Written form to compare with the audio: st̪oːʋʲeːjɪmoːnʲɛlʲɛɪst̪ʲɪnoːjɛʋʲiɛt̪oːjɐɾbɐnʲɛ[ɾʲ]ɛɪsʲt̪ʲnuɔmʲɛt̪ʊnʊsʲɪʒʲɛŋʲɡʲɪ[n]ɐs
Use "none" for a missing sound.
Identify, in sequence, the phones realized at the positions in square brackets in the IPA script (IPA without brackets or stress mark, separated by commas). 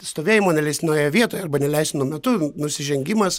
lʲ, m